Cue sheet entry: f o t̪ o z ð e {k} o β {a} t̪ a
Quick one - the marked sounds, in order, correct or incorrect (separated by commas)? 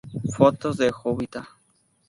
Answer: incorrect, incorrect